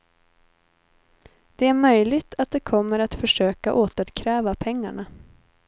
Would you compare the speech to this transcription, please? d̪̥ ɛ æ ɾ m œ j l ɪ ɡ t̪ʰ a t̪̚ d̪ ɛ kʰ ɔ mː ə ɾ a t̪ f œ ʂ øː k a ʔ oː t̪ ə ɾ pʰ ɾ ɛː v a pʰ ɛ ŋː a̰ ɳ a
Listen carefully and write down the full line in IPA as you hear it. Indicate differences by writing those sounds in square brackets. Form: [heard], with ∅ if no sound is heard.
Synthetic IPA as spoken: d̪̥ ɛ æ ɾ m œ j l ɪ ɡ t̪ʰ a t̪̚ d̪ ɛ kʰ ɔ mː ə ɾ a t̪ f œ ʂ øː k a ʔ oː t̪ ə ɾ [kʰ] ɾ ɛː v a pʰ ɛ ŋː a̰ ɳ a